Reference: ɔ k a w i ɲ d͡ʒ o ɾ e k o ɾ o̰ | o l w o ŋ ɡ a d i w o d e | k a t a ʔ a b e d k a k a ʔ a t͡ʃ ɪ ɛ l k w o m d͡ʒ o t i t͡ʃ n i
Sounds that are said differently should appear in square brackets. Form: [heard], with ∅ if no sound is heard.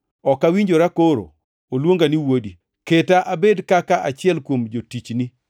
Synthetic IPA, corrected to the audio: ɔ k a w i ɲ d͡ʒ o ɾ [a] k o ɾ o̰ | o l w o ŋ ɡ a [n] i w o d [i] | k [e] t a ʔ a b e d k a k a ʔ a t͡ʃ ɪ ɛ l k w o m d͡ʒ o t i t͡ʃ n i